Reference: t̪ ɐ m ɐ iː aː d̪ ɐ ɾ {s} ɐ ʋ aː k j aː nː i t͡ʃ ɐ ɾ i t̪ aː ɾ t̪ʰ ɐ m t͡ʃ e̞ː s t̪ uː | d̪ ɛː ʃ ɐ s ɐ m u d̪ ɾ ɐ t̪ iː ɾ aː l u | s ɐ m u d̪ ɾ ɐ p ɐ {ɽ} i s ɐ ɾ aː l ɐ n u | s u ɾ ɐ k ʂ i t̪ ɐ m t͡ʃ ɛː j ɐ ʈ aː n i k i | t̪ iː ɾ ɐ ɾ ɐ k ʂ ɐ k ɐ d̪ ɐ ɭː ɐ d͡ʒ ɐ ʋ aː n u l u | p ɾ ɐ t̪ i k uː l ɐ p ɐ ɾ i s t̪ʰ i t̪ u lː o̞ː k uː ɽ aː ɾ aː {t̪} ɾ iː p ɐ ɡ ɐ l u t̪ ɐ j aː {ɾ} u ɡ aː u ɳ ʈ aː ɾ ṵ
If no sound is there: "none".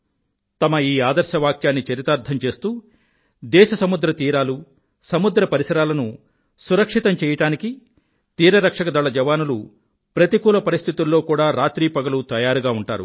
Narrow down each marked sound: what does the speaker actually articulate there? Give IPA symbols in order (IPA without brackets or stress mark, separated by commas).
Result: ʃ, ɾ, t̪, ɾ